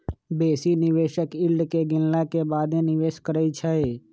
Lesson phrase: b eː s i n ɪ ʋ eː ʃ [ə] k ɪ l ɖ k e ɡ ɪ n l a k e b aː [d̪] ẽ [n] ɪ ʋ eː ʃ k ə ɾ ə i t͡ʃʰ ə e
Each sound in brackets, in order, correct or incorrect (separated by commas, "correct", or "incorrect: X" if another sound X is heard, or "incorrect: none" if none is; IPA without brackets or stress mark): correct, correct, correct